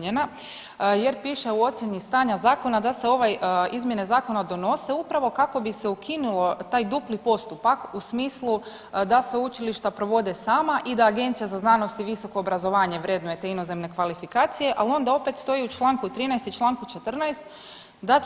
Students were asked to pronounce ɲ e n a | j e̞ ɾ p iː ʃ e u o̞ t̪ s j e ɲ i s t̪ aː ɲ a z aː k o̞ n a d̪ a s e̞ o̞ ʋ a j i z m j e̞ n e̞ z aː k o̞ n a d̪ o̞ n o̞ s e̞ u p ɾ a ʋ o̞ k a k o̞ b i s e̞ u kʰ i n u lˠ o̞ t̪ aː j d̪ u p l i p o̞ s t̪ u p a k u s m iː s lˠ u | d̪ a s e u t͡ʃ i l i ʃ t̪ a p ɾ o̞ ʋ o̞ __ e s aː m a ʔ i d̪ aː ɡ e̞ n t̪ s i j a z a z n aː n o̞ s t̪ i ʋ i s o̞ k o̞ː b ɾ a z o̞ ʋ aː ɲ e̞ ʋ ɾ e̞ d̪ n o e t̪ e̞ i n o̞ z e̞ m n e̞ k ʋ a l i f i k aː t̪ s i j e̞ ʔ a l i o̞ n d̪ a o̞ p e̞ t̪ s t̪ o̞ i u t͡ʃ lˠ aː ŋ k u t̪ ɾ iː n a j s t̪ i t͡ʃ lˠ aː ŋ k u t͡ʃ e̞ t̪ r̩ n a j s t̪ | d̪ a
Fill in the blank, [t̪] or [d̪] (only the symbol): d̪